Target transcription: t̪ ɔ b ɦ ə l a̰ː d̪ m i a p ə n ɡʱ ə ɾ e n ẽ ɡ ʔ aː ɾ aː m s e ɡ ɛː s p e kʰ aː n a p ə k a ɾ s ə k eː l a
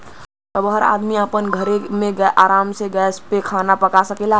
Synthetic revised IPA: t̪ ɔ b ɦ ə ɾ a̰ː d̪ m i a p ə n ɡʱ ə ɾ e m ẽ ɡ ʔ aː ɾ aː m s e ɡ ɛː s p e kʰ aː n a p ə k a s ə k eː l a